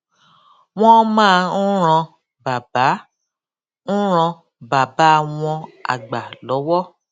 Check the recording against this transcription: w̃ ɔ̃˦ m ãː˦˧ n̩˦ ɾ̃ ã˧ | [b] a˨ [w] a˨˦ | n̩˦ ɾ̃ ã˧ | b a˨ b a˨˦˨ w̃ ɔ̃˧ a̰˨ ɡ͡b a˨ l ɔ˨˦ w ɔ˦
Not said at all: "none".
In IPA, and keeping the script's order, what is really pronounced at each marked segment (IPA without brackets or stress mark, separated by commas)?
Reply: b, b